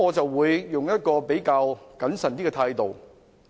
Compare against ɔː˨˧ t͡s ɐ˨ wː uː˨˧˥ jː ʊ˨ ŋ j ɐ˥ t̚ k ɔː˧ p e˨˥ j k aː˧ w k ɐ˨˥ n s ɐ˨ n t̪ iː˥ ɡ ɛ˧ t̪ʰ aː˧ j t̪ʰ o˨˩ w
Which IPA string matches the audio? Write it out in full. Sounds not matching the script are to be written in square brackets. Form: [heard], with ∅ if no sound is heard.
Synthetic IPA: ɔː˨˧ t͡s ɐ˨ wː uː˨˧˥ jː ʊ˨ ŋ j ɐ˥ t̚ k ɔː˧ p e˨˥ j k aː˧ w k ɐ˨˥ n s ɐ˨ n t̪ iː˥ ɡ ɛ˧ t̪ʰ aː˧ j [t̪] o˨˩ w